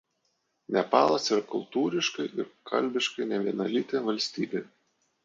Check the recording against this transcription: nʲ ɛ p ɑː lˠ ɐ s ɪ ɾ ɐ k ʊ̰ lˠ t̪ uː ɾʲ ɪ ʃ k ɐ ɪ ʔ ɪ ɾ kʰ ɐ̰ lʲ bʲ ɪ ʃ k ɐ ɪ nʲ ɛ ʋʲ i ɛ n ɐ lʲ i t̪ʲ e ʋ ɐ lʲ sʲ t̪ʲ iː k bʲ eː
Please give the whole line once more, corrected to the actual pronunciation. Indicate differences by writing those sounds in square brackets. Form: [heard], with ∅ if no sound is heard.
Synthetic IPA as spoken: nʲ ɛ p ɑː lˠ ɐ s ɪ ɾ ɐ k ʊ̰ lˠ t̪ uː ɾʲ ɪ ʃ k ɐ ɪ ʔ ɪ ɾ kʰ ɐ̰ lʲ bʲ ɪ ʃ k ɐ ɪ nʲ ɛ ʋʲ i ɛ n ɐ lʲ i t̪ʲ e ʋ ɐ lʲ sʲ t̪ʲ iː [∅] bʲ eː